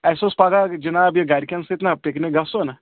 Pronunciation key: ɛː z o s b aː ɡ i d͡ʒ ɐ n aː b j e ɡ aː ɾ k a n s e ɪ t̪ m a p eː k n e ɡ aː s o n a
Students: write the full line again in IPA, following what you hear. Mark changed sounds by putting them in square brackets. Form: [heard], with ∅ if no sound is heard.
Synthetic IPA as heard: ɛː [s] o s [p] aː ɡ [a] d͡ʒ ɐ n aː b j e ɡ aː ɾ k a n s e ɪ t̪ [n] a p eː k n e ɡ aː s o n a